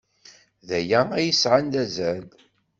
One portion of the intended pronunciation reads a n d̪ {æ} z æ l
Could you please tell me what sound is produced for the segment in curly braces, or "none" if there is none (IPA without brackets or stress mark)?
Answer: æ